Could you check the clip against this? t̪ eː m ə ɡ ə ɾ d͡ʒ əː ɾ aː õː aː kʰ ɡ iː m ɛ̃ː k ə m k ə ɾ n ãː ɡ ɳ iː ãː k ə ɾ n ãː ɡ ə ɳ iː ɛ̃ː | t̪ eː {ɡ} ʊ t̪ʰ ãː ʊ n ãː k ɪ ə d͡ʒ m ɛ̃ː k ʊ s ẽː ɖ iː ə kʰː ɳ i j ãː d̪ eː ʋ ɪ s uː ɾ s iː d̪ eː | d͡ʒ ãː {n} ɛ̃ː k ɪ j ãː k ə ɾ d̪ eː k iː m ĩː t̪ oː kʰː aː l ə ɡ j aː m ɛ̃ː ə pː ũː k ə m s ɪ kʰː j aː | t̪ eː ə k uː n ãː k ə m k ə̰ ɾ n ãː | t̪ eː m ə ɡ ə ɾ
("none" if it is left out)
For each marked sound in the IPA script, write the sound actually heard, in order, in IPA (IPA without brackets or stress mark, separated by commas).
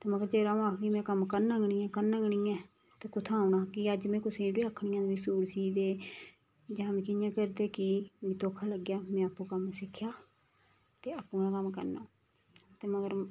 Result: k, m